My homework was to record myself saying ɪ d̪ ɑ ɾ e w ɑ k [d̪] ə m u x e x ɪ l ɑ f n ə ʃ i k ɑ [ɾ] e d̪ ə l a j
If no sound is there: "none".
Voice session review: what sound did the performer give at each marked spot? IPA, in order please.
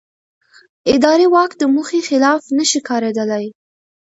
d̪, ɾ

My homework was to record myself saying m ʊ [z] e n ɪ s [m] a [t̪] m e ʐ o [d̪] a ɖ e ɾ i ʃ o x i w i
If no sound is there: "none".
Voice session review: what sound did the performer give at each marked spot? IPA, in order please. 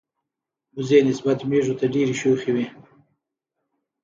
z, b, t̪, t̪

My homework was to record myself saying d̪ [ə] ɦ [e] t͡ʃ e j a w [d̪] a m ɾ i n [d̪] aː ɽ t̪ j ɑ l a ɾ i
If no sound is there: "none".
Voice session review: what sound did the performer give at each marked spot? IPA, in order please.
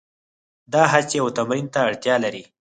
ɑ, a, t̪, t̪

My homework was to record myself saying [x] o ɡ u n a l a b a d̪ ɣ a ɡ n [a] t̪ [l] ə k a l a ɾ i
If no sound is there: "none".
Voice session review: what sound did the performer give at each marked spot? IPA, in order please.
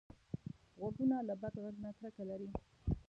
ɣ, a, ɾ

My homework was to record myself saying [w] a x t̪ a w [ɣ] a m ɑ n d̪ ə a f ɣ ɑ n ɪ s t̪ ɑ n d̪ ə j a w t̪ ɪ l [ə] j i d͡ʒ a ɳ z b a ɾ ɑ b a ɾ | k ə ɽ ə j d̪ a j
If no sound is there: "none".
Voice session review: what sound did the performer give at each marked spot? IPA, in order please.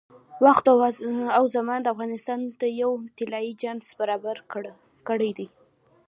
w, z, ɑ

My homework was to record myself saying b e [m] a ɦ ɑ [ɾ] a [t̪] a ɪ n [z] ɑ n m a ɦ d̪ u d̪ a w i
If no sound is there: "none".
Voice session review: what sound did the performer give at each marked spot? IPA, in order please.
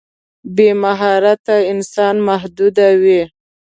m, ɾ, t̪, s

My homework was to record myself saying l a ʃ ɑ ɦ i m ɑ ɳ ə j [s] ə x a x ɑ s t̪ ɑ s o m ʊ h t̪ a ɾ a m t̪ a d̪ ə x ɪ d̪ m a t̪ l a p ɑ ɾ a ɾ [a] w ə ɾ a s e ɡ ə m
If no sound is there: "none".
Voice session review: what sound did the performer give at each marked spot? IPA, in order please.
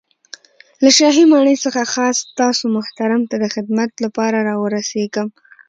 s, ɑ

